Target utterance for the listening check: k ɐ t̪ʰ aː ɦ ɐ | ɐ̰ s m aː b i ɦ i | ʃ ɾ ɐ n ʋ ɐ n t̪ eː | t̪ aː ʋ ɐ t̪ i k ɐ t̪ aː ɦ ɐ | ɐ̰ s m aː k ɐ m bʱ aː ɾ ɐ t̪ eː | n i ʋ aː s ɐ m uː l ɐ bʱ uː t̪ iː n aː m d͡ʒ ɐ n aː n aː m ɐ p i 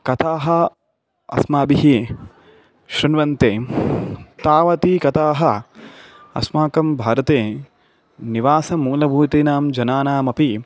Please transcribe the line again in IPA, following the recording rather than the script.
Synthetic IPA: k ɐ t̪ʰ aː ɦ ɐ | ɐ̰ s m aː b i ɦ i | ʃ ɾ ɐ n ʋ ɐ n t̪ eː | t̪ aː ʋ ɐ t̪ i k ɐ t̪ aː ɦ ɐ | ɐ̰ s m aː k ɐ m bʱ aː ɾ ɐ t̪ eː | n i ʋ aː s ɐ m uː l ɐ bʱ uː t̪ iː n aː m d͡ʒ ɐ n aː n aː m ɐ p i